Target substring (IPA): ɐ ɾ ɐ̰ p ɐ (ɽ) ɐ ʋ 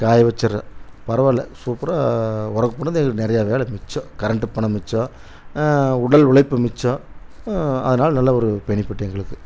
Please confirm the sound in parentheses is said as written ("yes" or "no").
no